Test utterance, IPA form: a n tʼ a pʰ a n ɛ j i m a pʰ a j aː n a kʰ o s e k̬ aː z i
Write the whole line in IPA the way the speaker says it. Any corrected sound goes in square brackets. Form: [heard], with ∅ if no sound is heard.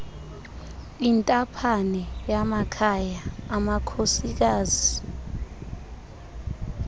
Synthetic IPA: [i] n tʼ a pʰ a n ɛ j [a] m a [kʰ] a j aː [m] a kʰ o s [i] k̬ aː z i